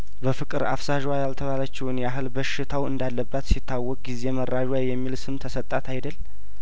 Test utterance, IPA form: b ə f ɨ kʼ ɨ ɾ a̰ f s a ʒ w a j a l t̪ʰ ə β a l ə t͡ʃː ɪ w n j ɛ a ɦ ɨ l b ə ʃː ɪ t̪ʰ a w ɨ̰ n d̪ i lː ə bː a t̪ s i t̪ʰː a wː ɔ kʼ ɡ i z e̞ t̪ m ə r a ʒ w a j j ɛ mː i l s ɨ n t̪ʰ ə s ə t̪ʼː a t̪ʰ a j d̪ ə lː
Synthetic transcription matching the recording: b ə f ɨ kʼ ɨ ɾ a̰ f s a ʒ w a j a l t̪ʰ ə β a l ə t͡ʃː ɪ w n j ɛ a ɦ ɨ l b ə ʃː ɪ t̪ʰ a w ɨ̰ n d̪ a lː ə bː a t̪ s i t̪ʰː a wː ɔ kʼ ɡ i z e̞ m ə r a ʒ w a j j ɛ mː i l s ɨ m t̪ʰ ə s ə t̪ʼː a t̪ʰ a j d̪ ə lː